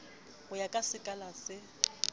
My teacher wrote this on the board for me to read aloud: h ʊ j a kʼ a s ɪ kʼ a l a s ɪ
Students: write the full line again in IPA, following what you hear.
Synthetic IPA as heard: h ʊ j a kʼ a s ɪ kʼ a l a s ɪ